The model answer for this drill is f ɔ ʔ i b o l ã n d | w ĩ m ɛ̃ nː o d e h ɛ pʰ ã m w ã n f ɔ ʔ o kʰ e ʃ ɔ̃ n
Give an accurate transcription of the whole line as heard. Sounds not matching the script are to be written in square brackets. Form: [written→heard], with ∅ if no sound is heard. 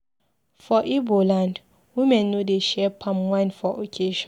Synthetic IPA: f ɔ ʔ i b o l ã n d | w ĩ m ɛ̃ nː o d e [h→ʃ] ɛ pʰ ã m w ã n f ɔ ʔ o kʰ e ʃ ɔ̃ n